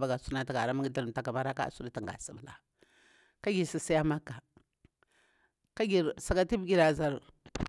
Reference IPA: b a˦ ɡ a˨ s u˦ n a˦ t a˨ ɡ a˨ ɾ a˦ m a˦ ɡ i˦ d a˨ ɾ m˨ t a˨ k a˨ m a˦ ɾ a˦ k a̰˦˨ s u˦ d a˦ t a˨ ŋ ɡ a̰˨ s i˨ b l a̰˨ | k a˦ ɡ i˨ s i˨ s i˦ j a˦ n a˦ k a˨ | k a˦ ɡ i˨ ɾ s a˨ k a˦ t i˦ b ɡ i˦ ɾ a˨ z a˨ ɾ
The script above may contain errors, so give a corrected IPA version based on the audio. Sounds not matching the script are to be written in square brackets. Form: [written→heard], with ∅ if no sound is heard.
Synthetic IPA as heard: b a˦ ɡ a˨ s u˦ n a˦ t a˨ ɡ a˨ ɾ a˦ m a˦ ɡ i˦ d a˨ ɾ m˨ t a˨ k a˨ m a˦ ɾ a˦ k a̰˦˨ s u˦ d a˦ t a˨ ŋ ɡ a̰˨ s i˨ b l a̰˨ | k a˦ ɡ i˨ s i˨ s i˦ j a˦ [n→m] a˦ k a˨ | k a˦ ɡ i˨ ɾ s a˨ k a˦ t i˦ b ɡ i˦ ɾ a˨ z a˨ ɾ